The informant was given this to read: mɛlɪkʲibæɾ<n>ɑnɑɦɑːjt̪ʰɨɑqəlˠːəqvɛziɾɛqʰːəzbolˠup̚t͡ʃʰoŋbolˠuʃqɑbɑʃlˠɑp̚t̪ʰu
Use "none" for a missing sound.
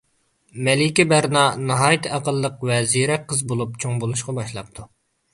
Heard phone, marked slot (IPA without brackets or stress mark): n